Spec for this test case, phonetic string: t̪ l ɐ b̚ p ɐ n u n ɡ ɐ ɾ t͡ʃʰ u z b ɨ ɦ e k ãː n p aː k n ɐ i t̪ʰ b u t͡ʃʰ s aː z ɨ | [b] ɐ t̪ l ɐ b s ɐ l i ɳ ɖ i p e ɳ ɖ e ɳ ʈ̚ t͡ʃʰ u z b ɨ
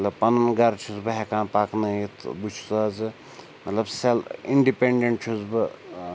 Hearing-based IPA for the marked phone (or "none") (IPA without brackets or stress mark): m